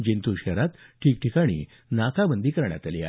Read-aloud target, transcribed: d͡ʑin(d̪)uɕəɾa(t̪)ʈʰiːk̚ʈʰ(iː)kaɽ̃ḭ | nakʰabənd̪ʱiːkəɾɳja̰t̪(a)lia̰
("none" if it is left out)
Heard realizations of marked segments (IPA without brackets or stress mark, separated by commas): t̪, t̪, i, a